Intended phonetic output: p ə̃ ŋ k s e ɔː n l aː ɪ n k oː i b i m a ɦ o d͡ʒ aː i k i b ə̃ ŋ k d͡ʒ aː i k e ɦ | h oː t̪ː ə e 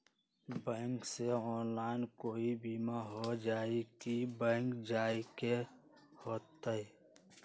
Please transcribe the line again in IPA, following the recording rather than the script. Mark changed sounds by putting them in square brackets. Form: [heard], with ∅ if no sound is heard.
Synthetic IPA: [b] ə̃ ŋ k s e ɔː n l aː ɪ n k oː i b i m a ɦ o d͡ʒ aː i k i b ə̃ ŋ k d͡ʒ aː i k e [∅] | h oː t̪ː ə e